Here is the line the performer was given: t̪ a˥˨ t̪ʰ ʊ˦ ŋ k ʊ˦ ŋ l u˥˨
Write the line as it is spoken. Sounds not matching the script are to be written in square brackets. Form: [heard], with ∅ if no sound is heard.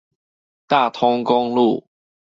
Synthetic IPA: t̪ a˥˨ t̪ʰ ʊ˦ ŋ k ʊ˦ ŋ l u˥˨